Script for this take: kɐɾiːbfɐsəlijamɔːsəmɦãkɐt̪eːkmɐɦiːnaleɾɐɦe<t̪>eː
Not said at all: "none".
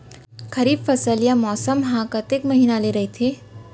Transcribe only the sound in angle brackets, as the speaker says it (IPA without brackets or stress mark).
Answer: t̪ʰ